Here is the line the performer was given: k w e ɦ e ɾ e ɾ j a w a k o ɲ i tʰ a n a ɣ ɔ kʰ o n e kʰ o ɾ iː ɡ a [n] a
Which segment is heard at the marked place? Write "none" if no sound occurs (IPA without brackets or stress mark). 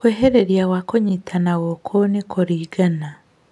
n